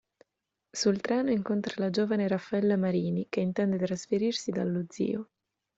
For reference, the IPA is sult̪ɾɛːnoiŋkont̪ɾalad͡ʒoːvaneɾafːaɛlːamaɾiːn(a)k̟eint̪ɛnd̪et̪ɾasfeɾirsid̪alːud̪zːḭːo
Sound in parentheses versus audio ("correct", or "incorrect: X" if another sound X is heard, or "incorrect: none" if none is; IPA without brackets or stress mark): incorrect: i